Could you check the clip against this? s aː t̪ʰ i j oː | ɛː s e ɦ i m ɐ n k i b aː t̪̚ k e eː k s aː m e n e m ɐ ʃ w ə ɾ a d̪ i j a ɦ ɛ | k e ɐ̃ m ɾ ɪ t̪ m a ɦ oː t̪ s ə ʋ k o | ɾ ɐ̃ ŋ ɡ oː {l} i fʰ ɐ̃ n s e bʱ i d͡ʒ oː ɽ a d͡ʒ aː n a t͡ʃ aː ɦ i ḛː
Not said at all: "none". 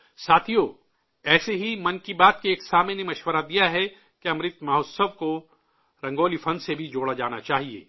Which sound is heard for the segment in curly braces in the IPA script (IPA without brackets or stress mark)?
l